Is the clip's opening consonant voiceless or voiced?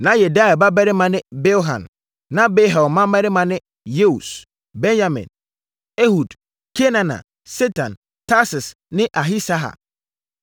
voiced